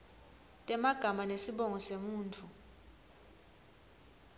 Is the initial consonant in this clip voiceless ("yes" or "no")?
yes